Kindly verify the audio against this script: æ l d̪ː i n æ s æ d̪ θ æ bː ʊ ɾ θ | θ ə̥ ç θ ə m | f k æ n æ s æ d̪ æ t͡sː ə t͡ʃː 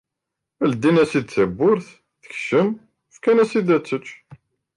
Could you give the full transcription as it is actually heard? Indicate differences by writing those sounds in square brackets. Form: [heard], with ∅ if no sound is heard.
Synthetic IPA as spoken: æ l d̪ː i n æ s [i] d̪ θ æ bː ʊ ɾ θ | θ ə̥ ç [ʃ] ə m | f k æ n æ s [i] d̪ æ t͡sː ə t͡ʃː